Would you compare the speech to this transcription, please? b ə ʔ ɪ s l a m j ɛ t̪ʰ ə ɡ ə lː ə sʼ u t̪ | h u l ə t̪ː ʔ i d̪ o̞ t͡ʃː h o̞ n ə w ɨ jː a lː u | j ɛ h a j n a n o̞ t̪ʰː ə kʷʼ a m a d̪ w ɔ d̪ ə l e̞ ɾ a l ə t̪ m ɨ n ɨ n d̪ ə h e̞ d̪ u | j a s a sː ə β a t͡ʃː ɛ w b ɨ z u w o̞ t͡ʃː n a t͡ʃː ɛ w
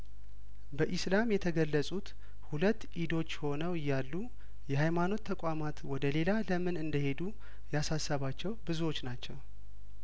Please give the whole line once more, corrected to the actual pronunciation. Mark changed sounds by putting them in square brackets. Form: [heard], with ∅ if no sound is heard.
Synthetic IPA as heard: b ə ʔ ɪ s l a m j ɛ t̪ʰ ə ɡ ə lː ə sʼ u t̪ | h u l ə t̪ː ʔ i d̪ o̞ t͡ʃː h o̞ n ə w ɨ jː a lː u | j ɛ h a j [m] a n o̞ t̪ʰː ə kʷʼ a m a [t̪] w ɔ d̪ ə l e̞ [l] a l ə [∅] m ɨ n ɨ n d̪ ə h e̞ d̪ u | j a s a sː ə β a t͡ʃː ɛ w b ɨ z u w o̞ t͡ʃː n a t͡ʃː ɛ w